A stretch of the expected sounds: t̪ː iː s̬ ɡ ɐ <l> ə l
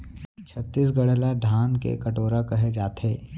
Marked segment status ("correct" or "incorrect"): incorrect